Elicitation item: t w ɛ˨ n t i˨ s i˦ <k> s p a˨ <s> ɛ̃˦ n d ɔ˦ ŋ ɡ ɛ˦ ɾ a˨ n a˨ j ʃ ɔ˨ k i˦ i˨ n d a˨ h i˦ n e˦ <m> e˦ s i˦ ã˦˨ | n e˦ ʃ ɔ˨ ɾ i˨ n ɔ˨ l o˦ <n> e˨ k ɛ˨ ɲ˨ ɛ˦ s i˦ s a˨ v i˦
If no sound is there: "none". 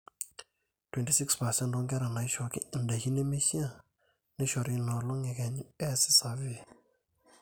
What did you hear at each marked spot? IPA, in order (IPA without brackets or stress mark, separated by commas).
k, s, m, ŋ